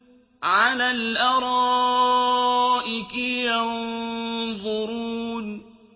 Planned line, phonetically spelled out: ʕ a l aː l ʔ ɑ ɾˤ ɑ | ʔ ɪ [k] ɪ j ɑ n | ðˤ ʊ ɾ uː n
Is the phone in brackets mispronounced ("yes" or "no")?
no